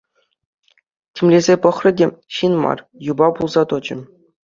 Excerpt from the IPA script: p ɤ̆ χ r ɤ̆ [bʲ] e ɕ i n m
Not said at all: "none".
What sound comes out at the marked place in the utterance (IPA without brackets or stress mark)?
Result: dʲ